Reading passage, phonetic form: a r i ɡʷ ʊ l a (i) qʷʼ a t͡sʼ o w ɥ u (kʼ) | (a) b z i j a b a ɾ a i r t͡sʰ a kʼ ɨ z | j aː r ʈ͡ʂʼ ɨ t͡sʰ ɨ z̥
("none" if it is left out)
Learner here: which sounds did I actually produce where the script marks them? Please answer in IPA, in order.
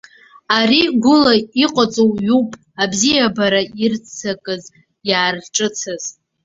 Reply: i, pʼ, a

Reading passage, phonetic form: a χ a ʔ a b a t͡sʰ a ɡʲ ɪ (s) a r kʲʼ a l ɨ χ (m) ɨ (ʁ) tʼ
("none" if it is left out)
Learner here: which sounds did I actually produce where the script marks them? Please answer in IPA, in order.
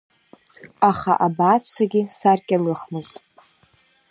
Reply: s, m, z

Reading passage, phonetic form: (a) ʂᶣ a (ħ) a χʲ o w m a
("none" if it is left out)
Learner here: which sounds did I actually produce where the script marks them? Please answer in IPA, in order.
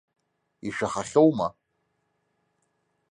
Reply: i, χ

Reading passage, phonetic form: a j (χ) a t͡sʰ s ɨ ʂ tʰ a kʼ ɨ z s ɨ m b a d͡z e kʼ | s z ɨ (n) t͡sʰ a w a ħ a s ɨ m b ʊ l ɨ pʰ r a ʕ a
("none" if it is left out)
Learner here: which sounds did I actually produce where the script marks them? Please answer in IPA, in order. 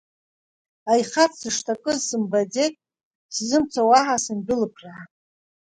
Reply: χ, m

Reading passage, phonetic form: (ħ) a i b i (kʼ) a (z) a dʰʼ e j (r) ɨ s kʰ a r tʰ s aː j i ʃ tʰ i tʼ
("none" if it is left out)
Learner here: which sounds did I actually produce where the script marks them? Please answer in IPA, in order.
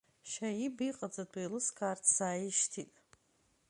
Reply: ʃ, qʼ, d͡z, l

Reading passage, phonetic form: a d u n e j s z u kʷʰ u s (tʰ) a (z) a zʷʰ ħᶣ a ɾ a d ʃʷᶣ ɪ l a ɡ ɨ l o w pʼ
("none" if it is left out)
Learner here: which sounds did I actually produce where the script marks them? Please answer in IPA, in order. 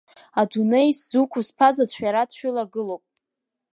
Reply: pʰ, z

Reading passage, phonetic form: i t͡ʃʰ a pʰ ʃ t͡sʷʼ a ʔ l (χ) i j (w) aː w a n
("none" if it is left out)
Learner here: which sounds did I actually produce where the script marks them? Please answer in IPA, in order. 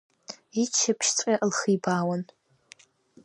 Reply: χ, b

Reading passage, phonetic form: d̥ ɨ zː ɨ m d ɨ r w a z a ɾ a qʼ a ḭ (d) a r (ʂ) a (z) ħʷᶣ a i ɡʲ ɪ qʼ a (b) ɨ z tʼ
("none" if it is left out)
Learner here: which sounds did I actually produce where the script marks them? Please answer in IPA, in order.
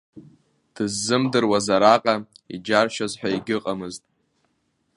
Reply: d͡ʒ, ʃ, z, m

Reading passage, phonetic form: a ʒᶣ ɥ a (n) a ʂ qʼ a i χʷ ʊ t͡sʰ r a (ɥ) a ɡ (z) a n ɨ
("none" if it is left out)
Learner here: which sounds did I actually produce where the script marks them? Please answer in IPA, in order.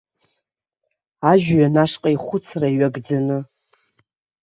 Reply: n, ɥ, d͡z

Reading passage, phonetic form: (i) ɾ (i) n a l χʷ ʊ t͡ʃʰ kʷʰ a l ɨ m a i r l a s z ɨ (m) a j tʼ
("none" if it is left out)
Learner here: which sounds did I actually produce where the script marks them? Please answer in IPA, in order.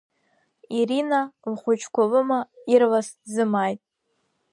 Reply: i, i, m

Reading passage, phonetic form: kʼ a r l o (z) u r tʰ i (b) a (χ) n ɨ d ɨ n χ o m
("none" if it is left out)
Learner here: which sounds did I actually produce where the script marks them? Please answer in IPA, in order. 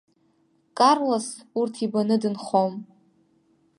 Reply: s, b, none

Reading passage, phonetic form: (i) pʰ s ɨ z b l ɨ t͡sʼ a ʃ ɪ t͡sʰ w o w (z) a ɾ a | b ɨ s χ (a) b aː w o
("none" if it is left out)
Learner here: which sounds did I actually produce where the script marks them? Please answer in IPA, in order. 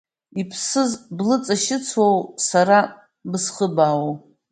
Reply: i, s, ə

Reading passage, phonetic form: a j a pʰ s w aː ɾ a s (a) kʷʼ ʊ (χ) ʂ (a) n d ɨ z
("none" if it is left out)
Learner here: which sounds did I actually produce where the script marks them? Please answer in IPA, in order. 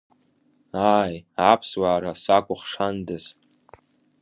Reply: a, χ, a

